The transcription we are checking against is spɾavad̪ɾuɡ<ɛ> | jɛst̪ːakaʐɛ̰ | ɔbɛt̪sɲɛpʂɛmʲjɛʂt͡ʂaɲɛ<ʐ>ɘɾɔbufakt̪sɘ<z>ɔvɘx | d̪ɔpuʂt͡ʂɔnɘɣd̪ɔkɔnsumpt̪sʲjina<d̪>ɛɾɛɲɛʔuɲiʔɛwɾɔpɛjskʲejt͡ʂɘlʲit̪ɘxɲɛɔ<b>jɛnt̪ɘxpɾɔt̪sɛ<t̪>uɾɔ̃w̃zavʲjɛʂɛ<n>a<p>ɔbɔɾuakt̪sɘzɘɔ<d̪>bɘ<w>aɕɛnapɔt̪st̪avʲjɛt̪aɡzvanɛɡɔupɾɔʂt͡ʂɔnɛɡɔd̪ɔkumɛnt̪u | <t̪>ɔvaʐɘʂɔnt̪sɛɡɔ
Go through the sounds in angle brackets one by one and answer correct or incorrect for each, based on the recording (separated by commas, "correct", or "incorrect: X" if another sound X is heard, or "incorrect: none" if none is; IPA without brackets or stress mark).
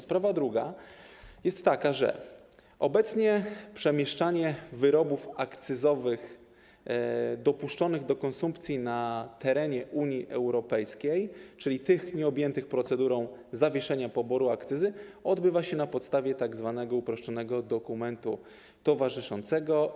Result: incorrect: a, incorrect: v, correct, incorrect: t̪, correct, incorrect: d̪, incorrect: ɲ, correct, correct, incorrect: v, correct